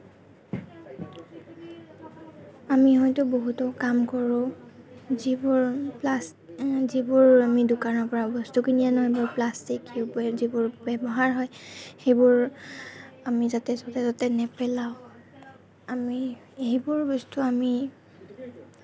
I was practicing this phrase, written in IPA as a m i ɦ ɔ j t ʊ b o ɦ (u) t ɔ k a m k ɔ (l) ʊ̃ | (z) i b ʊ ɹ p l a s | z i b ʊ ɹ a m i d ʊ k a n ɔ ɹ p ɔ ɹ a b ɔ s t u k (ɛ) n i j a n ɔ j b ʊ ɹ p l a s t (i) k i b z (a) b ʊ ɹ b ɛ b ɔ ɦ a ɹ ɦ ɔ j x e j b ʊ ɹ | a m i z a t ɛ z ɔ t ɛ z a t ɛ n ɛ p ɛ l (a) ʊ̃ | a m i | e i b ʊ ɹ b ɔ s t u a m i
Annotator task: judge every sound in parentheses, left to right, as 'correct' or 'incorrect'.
correct, incorrect: ɹ, correct, incorrect: i, correct, incorrect: i, correct

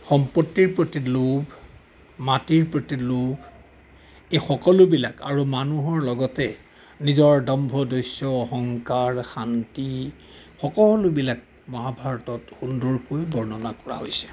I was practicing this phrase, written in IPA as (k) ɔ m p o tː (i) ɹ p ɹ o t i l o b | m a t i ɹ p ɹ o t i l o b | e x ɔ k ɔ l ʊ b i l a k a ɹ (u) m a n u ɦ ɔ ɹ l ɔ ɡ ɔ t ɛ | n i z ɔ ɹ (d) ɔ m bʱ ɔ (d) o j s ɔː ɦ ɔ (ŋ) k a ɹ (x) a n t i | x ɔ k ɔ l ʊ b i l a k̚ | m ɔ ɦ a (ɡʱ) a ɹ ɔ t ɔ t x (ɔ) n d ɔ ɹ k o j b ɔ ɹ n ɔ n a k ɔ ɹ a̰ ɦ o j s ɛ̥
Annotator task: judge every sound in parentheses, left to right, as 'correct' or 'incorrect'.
incorrect: x, correct, correct, correct, correct, correct, correct, incorrect: bʱ, incorrect: u

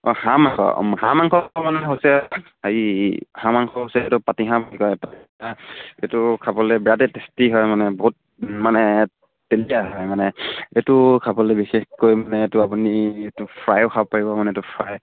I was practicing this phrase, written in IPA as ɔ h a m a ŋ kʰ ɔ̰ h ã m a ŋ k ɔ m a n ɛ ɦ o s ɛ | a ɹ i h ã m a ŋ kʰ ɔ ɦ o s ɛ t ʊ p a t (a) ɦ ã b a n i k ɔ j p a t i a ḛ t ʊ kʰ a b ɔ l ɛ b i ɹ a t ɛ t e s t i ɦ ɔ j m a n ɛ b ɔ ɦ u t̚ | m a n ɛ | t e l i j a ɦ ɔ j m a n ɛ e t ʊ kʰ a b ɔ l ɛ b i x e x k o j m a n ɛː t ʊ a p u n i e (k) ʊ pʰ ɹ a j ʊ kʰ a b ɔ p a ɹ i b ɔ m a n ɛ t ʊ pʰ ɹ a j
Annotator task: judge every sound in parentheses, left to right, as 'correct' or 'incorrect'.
incorrect: i, incorrect: t

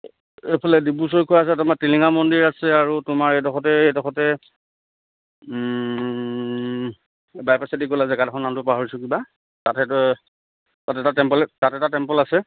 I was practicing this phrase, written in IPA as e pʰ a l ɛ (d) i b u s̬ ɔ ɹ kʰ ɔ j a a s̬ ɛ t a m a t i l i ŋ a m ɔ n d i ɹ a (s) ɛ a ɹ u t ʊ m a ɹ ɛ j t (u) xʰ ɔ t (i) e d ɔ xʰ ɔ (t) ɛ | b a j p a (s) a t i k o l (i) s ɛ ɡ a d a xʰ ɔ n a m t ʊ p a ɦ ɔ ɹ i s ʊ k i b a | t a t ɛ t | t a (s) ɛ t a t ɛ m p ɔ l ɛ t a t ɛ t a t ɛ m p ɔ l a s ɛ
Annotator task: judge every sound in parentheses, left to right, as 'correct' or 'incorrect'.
correct, correct, incorrect: ɔ, incorrect: ɛ, correct, correct, incorrect: a, incorrect: t

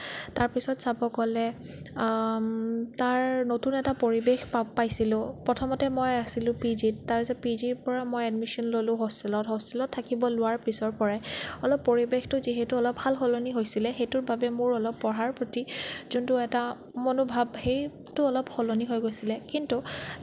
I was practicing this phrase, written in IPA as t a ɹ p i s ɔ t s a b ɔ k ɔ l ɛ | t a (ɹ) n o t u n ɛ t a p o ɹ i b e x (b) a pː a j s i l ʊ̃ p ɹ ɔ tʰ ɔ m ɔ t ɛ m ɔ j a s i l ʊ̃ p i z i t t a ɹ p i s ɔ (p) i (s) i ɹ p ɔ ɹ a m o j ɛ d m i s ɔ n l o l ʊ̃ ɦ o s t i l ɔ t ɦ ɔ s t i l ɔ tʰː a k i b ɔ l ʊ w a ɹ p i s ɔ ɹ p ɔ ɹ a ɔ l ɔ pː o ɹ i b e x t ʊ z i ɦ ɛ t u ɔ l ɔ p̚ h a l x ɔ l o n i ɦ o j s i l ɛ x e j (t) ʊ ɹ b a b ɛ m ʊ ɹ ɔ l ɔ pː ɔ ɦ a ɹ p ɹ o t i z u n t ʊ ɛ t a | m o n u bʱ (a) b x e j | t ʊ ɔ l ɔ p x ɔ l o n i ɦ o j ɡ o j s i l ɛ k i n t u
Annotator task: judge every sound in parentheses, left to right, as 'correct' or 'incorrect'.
correct, incorrect: p, correct, incorrect: z, correct, correct

